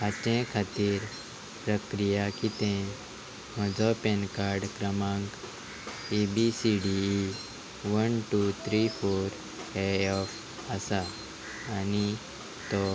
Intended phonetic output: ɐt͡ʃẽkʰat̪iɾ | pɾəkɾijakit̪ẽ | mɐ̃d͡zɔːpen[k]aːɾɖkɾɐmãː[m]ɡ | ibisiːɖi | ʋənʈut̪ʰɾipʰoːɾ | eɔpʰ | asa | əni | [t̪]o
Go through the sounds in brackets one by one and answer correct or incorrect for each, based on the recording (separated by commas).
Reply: correct, incorrect, correct